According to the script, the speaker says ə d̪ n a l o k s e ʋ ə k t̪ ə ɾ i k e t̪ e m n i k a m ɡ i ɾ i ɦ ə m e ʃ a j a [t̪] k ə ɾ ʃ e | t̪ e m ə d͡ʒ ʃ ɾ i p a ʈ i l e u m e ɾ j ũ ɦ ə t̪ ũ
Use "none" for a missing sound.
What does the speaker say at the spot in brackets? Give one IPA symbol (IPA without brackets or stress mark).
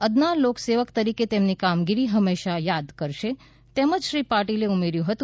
d̪